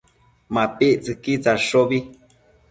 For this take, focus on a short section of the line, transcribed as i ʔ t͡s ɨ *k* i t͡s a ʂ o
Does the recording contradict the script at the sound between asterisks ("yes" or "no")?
no